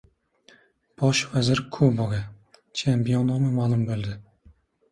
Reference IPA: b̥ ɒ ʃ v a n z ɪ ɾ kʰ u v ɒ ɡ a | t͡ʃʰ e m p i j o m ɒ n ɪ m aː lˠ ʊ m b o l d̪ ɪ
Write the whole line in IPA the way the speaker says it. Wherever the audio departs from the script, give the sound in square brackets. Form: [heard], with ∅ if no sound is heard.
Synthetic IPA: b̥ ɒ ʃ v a [∅] z ɪ ɾ kʰ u [b] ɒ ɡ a | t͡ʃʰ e m p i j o [n] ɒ [m] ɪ m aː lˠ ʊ m b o l d̪ ɪ